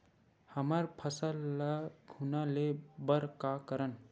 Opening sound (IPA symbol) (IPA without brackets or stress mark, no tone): h